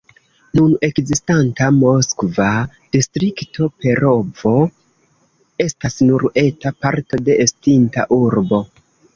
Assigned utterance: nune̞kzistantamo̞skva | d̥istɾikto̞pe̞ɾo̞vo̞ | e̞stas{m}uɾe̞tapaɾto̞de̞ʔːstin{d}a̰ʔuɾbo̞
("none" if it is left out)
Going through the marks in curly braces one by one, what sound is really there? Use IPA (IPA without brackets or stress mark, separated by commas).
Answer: n, t